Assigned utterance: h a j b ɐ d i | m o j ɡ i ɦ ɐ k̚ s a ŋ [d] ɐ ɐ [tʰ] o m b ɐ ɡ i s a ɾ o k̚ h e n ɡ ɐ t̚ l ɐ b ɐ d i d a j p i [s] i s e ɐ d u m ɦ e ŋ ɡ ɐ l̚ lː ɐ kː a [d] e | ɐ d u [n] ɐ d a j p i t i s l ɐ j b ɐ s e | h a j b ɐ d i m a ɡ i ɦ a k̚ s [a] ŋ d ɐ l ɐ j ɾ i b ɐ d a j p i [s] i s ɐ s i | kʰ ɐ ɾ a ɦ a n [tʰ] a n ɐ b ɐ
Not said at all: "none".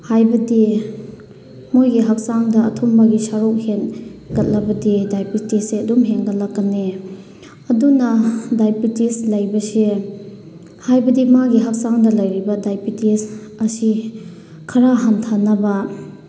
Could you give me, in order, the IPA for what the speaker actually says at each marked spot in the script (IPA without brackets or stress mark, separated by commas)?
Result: d, tʰ, t, n, n, a, t, tʰ